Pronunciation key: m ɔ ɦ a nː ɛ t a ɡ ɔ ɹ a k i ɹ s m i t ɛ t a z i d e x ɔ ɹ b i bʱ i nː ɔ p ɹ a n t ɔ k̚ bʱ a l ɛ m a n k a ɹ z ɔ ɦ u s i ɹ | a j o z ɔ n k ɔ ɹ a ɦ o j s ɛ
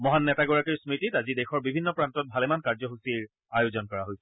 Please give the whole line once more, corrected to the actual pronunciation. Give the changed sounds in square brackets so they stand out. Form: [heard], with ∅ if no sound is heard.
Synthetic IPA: m ɔ ɦ a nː ɛ t a ɡ ɔ ɹ a k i ɹ s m i t [i] t a z i d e x ɔ ɹ b i bʱ i nː ɔ p ɹ a n t ɔ [t̚] bʱ a l ɛ m a n k a ɹ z ɔ ɦ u s i ɹ | a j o z ɔ n k ɔ ɹ a ɦ o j s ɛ